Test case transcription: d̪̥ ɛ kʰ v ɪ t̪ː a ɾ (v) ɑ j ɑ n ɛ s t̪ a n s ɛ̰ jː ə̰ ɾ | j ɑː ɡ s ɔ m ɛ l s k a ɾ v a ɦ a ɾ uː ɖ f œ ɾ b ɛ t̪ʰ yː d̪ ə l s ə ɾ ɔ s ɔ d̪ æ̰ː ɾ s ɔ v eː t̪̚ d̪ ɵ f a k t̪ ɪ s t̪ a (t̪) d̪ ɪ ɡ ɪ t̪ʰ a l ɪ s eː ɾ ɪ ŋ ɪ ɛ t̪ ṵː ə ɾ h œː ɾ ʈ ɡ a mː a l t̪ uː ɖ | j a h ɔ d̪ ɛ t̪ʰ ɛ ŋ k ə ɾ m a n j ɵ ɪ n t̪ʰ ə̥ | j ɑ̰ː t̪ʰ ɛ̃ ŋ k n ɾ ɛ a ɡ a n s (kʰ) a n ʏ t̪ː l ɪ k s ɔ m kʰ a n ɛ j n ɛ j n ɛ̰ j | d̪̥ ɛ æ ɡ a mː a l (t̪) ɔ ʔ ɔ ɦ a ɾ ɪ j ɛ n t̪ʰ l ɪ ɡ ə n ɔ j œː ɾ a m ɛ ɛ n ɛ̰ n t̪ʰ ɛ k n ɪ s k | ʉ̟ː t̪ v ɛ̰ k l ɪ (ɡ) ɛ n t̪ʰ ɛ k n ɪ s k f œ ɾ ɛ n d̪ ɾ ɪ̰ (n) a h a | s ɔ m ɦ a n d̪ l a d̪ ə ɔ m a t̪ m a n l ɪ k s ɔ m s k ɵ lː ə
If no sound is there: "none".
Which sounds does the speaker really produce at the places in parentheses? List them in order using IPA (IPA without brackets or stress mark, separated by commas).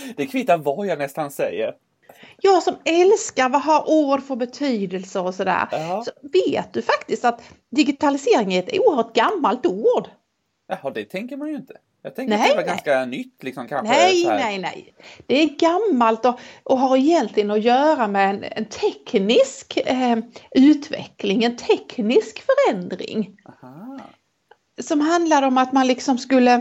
v, t̪, k, t̪, ŋ, ŋ